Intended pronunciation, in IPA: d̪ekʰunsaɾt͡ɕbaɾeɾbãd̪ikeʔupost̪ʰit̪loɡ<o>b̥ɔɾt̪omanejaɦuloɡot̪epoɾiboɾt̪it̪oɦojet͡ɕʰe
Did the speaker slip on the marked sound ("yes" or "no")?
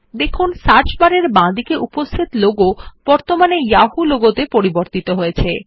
no